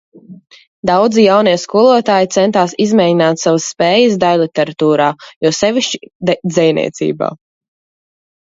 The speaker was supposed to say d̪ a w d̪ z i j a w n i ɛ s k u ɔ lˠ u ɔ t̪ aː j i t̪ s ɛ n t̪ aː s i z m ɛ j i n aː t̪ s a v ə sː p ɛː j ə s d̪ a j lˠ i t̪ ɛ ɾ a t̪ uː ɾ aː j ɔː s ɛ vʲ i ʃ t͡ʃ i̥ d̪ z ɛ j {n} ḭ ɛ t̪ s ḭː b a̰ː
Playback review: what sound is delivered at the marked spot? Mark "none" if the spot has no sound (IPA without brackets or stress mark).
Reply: n